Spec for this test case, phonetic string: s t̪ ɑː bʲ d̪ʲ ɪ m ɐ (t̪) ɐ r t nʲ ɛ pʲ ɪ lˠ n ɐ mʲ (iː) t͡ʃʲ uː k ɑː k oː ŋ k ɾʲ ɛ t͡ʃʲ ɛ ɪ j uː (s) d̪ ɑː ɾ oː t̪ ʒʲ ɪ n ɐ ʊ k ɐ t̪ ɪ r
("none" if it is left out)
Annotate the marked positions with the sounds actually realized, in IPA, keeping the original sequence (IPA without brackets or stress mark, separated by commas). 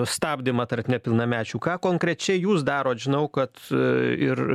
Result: t̪, æː, s